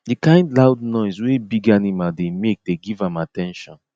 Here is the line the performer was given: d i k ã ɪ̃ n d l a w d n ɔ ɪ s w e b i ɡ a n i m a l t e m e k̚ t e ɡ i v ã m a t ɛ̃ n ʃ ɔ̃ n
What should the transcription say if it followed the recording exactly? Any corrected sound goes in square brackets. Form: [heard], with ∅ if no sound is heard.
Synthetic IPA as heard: d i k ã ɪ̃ n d l a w d n ɔ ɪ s w e b i ɡ a n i m a l [d] e m e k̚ [d] e ɡ i v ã m a t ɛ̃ n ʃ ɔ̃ n